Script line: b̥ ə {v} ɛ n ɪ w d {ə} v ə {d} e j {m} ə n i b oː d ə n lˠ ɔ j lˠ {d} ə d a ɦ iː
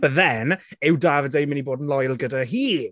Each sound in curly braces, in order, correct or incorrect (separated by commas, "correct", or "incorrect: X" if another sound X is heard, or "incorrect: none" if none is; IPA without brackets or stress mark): incorrect: ð, incorrect: a, correct, correct, incorrect: ɡ